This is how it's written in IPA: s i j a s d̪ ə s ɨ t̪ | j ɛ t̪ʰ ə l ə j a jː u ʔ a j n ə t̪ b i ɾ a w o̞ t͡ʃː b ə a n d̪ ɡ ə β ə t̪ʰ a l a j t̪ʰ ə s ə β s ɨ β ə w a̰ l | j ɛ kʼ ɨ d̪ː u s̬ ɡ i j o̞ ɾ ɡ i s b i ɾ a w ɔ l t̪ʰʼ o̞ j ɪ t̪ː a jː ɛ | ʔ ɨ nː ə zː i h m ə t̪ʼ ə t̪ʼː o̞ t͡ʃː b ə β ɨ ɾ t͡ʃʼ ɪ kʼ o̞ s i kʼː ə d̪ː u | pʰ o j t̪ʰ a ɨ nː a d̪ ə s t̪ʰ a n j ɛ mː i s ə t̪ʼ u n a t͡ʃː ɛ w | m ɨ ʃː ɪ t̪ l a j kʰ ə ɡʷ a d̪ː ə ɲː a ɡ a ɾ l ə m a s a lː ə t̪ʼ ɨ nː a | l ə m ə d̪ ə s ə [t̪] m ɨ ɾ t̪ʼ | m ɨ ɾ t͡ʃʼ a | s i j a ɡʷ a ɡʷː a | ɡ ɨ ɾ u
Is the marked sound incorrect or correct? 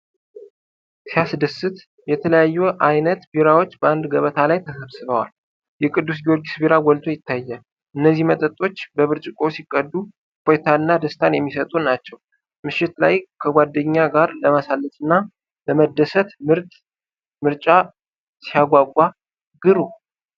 correct